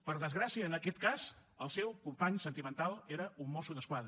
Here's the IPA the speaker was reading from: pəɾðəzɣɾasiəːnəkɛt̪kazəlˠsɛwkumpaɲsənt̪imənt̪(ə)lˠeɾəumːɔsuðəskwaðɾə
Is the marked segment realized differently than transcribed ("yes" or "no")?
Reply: yes